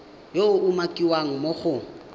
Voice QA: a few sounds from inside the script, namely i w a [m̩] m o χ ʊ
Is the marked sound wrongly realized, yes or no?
yes